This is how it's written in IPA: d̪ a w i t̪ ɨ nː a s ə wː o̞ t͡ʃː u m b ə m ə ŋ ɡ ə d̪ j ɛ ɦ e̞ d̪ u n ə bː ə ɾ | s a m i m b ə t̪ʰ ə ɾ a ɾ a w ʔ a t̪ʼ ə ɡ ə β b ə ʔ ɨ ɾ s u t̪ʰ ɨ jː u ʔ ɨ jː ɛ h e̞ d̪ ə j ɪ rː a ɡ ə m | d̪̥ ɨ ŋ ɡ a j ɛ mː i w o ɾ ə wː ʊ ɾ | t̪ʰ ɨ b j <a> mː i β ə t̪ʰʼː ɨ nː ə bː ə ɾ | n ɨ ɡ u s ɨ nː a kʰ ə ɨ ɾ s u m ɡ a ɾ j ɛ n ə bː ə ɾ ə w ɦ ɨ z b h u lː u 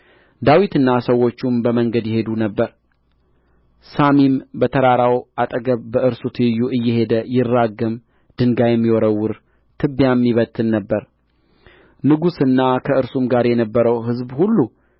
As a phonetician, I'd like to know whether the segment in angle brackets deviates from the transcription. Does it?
no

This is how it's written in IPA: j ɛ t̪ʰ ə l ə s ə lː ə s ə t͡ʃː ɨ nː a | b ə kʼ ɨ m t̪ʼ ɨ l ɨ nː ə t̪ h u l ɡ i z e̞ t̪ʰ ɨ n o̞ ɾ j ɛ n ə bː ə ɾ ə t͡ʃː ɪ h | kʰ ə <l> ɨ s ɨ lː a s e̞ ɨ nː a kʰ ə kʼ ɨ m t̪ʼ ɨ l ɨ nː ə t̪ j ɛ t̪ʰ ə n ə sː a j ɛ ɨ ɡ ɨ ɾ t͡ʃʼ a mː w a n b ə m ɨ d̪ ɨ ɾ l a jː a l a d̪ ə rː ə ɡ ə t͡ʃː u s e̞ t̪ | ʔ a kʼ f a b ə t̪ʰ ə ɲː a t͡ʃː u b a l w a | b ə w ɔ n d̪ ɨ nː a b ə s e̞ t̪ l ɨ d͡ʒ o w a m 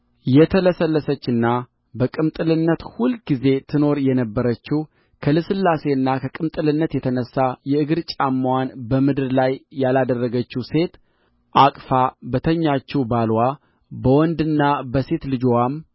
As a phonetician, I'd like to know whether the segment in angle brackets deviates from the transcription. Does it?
no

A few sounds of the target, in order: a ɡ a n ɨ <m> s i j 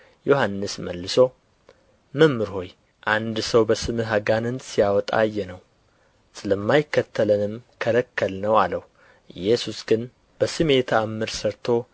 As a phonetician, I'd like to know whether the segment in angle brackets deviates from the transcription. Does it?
yes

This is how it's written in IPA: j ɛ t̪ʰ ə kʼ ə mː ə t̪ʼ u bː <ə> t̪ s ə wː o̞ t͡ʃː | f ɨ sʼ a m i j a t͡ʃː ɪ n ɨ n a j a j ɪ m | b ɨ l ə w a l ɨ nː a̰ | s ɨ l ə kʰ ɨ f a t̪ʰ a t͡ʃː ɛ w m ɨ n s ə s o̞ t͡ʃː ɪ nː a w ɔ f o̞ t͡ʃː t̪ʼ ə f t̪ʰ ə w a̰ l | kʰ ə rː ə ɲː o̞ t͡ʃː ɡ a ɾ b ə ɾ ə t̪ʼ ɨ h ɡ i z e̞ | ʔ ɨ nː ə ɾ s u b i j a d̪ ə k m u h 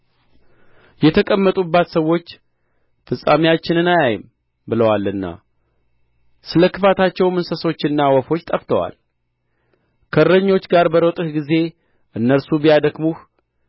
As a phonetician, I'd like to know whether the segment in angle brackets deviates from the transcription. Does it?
yes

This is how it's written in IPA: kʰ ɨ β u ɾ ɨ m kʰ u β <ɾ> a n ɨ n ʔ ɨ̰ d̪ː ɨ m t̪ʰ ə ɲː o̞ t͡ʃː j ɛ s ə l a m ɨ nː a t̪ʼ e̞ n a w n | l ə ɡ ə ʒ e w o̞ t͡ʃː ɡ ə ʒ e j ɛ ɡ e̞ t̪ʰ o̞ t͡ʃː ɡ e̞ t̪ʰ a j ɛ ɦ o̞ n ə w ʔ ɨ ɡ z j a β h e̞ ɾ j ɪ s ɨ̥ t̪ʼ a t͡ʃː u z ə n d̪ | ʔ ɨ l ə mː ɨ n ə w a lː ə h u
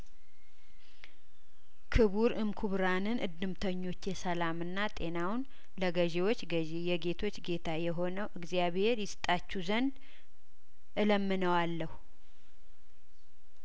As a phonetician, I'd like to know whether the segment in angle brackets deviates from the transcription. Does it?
no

